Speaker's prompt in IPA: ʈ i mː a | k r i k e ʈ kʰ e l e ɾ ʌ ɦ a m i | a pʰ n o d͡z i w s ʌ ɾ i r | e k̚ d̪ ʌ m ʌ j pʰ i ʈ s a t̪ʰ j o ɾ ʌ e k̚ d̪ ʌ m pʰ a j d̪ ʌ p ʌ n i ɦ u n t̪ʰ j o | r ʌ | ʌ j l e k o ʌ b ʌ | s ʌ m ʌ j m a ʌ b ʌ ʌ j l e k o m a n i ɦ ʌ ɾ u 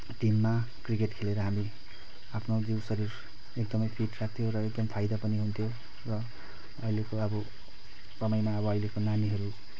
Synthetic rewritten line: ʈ i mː a | k r i k e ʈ kʰ e l e ɾ ʌ ɦ a m i | a pʰ n o d͡z i w s ʌ ɾ i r | e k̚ d̪ ʌ m ʌ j pʰ i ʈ s a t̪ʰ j o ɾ ʌ e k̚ d̪ ʌ m pʰ a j d̪ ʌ p ʌ n i ɦ u n t̪ʰ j o | r ʌ | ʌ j l e k o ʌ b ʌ | s ʌ m ʌ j m a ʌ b ʌ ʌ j l e k o n a n i ɦ ʌ ɾ u